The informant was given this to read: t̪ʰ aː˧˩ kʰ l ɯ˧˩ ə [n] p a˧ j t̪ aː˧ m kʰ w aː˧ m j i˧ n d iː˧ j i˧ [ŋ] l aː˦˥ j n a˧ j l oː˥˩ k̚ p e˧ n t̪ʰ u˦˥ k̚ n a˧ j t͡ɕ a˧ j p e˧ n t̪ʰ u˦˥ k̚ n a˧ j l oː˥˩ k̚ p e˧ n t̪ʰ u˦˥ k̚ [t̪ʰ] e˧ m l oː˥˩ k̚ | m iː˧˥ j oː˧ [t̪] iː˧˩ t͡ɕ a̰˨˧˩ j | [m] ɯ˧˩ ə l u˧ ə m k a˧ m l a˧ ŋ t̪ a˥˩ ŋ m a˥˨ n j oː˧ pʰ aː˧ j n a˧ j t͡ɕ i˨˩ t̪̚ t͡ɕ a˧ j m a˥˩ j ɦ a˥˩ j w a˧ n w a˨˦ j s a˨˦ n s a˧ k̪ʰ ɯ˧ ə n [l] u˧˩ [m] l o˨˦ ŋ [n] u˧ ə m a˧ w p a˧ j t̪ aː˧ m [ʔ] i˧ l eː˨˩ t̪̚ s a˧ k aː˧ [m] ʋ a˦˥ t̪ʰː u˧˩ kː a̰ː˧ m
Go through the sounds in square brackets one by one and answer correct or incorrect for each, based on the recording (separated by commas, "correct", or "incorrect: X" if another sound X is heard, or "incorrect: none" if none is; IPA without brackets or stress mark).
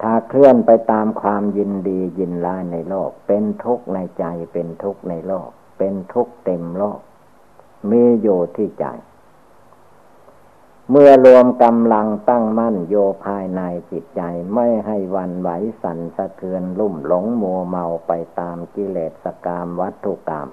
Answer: correct, incorrect: n, incorrect: t̪, incorrect: t̪ʰ, correct, correct, correct, incorrect: m, incorrect: k, correct